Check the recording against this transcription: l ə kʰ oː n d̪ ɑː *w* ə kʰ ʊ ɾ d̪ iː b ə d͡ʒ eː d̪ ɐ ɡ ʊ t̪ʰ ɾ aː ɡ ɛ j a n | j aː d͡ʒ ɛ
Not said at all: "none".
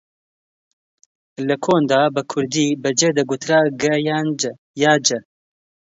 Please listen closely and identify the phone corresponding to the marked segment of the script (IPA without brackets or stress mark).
b